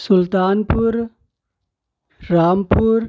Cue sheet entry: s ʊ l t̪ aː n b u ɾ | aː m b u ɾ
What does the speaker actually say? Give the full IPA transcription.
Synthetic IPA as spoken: s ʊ l t̪ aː n p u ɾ | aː m p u ɾ